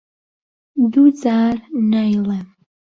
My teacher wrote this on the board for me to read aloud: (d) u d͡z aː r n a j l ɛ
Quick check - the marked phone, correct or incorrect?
correct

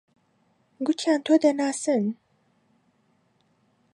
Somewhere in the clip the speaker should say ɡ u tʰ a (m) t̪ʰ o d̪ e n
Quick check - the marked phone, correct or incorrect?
incorrect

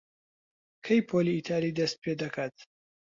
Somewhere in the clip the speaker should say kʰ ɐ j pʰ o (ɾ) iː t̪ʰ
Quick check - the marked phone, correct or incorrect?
incorrect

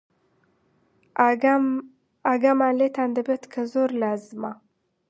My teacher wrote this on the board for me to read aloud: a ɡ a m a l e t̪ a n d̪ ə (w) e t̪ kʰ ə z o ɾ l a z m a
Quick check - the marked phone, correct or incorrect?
incorrect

